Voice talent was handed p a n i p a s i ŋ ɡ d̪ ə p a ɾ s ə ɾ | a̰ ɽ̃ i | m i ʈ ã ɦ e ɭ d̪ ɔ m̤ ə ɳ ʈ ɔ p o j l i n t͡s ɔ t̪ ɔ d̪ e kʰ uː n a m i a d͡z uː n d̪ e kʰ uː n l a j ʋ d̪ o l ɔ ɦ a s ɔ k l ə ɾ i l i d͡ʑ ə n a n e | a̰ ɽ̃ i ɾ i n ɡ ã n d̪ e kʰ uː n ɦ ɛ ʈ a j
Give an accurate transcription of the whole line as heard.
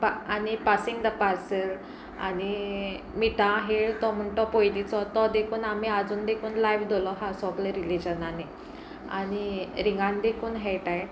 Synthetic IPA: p a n i p a s i ŋ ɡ d̪ ə p a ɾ s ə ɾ | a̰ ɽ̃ i | m i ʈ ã ɦ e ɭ t̪ ɔ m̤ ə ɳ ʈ ɔ p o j l i t͡s ɔ t̪ ɔ d̪ e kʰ uː n a m i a d͡z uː n d̪ e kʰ uː n l a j ʋ d̪ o l ɔ ɦ a s ɔ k l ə ɾ i l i d͡ʑ ə n a n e | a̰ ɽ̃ i ɾ i ŋ ɡ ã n d̪ e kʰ uː n ɦ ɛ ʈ a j